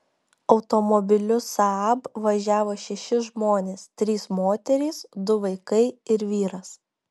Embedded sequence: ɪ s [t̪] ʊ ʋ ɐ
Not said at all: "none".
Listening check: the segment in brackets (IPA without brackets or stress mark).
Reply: d̪